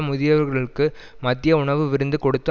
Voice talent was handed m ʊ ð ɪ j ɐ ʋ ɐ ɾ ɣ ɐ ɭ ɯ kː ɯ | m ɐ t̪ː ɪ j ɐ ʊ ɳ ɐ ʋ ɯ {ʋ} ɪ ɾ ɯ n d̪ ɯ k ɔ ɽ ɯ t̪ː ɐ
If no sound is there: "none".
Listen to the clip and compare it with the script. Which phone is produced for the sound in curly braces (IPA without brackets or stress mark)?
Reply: ʋ